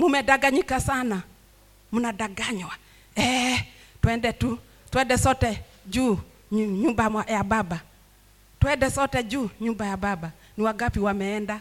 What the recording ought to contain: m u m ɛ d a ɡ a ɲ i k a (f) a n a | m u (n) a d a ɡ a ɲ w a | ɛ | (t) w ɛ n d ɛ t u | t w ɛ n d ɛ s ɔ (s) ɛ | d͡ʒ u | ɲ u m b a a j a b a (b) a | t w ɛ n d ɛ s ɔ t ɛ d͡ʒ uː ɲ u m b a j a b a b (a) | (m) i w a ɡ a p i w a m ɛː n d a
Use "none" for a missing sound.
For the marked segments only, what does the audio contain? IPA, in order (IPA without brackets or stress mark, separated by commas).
s, n, t, t, b, a, n